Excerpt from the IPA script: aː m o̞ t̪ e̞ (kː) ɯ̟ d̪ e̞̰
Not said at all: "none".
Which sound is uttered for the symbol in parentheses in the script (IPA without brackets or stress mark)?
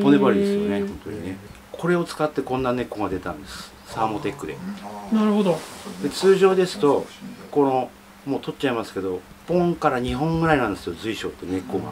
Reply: kː